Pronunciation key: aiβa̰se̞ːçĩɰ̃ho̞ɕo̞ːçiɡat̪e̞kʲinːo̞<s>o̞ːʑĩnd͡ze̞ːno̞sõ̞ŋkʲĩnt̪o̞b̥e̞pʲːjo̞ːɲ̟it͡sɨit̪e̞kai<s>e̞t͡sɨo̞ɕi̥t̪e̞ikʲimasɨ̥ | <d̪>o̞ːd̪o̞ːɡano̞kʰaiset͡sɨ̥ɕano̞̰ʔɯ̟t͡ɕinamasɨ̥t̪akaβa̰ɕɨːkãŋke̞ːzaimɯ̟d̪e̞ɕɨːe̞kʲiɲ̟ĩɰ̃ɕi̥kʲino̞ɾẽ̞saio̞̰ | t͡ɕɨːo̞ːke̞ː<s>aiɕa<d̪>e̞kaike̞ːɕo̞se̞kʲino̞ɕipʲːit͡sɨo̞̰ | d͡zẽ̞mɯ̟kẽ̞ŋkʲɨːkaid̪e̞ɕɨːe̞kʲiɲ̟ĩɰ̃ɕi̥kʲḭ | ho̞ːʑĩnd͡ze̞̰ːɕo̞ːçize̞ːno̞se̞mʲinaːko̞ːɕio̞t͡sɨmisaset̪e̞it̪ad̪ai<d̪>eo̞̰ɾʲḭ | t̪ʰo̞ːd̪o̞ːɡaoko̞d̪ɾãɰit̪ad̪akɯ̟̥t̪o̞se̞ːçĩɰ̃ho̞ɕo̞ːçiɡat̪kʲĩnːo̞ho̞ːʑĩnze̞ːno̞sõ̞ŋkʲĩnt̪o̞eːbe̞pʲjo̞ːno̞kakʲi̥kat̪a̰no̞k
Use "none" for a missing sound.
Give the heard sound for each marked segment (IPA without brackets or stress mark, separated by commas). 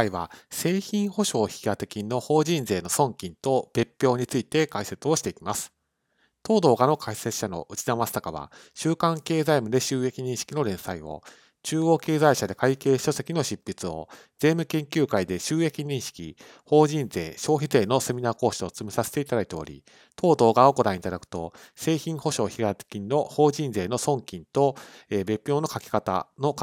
h, s, t̪, z, d̪, t̪